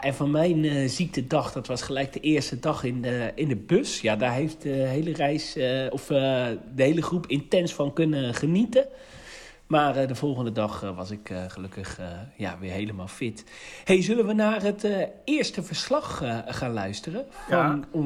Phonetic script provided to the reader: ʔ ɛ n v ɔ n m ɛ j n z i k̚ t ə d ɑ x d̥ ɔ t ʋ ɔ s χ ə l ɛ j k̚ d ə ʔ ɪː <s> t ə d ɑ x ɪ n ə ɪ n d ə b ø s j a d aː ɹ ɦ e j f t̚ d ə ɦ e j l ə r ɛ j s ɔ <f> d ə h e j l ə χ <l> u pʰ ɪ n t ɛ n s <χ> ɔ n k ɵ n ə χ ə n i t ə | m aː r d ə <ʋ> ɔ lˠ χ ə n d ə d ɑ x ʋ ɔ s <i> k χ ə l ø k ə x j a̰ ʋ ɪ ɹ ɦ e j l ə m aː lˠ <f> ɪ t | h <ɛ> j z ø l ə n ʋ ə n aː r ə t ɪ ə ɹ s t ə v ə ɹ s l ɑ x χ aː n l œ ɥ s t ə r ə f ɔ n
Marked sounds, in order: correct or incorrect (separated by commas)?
correct, correct, incorrect, incorrect, incorrect, incorrect, correct, incorrect